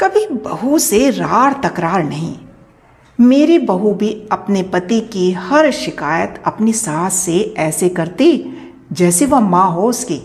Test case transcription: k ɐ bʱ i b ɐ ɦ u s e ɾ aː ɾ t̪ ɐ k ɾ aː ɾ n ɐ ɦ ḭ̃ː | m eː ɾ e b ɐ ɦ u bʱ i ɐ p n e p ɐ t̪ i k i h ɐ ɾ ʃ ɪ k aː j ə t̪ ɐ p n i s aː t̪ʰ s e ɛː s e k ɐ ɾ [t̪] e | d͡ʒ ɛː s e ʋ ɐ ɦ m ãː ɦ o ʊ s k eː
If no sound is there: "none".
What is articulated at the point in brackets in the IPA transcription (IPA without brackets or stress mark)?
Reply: t̪